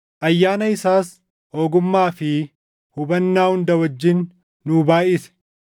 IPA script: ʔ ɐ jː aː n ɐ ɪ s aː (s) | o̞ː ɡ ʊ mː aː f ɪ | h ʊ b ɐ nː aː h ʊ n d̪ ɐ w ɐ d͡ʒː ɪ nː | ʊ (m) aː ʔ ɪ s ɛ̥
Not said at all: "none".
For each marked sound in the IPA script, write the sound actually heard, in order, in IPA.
s, b

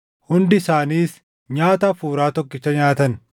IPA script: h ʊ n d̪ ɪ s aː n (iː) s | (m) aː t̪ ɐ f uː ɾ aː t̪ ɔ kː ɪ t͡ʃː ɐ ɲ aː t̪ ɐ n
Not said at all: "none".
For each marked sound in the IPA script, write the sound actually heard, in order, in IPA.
iː, ɲ

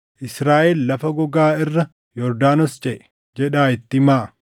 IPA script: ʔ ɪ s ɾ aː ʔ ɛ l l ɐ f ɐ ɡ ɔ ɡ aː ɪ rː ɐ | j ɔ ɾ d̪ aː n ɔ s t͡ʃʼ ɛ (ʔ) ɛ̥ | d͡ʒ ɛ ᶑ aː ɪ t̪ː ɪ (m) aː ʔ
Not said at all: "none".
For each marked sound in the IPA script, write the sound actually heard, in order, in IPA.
ʔ, m

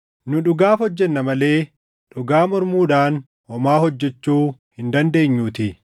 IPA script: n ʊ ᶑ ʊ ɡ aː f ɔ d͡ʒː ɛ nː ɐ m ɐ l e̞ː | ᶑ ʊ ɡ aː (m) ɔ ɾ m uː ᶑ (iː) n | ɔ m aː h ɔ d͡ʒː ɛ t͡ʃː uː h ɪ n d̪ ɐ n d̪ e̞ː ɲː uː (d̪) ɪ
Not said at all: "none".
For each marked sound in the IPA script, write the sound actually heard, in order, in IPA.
m, aː, t̪

